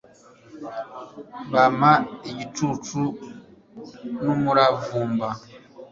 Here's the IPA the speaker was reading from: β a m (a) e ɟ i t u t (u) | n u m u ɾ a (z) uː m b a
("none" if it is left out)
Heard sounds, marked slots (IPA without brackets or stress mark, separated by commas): a, u, v